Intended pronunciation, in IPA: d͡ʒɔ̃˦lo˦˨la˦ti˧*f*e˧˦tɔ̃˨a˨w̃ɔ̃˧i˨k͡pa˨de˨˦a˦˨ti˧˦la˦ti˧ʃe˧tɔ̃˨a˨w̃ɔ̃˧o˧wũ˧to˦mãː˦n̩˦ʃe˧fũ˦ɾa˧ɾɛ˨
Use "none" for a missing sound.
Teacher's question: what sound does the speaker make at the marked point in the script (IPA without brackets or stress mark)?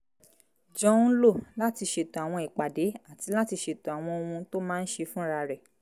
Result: ʃ